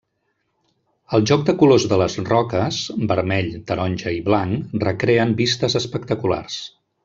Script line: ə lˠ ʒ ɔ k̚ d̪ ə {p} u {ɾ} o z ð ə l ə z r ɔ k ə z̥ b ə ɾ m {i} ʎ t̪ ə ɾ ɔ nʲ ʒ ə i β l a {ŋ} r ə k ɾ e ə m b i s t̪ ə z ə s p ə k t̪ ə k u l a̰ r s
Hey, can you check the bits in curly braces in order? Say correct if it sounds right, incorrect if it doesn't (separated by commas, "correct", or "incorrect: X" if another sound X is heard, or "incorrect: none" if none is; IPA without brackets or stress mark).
incorrect: k, incorrect: l, incorrect: ɛ, correct